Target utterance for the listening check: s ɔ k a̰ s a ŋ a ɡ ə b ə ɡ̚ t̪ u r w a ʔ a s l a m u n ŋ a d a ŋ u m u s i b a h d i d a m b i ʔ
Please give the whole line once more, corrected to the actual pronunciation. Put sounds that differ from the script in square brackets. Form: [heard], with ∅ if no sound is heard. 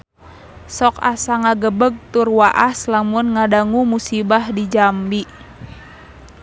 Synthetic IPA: s ɔ k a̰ s a ŋ a ɡ ə b ə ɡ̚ t̪ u r w a ʔ a s l a m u n ŋ a d a ŋ u m u s i b a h d i [d͡ʒ] a m b i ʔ